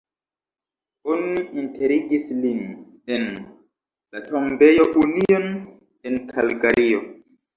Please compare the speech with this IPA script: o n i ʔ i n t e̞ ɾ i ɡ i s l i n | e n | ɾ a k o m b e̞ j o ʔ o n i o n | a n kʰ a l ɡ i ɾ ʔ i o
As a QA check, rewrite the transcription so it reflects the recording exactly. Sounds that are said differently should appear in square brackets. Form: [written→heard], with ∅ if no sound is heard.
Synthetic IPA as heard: o n i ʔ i n t e̞ ɾ i ɡ i s l i n | e n | [ɾ→l] a [k→t] o m b e̞ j o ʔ [o→u] n i o n | [a→e] n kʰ a l ɡ [i→a] ɾ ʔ i o